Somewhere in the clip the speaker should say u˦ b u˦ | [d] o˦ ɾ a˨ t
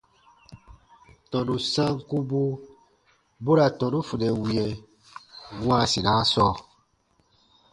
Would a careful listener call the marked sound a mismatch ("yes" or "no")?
yes